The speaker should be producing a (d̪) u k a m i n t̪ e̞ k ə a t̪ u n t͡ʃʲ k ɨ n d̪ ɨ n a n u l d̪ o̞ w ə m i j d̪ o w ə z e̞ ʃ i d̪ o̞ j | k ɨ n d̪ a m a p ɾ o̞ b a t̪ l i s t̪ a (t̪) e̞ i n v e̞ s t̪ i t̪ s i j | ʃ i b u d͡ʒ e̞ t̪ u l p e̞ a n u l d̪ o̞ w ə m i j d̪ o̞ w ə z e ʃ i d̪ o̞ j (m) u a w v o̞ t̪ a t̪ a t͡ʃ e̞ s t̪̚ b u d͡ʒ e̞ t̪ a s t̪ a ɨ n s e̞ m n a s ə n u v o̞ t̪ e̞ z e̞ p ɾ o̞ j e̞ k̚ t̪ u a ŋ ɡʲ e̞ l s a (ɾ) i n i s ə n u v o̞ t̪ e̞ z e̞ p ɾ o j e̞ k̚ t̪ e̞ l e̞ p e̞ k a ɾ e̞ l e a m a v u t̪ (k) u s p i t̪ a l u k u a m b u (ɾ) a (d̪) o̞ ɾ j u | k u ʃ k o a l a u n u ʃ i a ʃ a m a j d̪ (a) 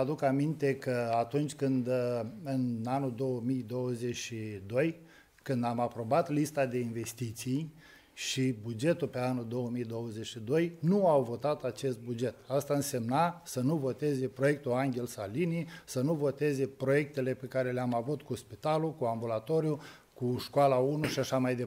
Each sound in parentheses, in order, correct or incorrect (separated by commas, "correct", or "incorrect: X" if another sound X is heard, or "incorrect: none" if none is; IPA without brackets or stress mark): correct, incorrect: d̪, incorrect: n, incorrect: l, correct, incorrect: l, incorrect: t̪, incorrect: e